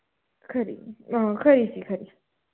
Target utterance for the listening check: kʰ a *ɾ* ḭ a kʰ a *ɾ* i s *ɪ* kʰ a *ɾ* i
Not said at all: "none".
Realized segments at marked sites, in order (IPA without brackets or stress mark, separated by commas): ɾ, ɾ, i, ɾ